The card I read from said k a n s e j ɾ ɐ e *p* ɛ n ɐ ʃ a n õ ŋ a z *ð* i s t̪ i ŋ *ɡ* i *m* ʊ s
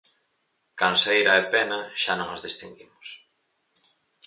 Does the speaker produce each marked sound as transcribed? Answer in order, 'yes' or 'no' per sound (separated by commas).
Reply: yes, yes, yes, yes